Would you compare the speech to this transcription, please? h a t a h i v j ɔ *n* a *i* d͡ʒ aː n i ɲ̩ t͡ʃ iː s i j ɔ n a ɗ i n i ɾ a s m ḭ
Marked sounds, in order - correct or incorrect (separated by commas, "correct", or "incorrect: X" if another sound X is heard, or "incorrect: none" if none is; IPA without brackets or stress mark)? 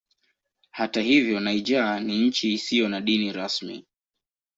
correct, correct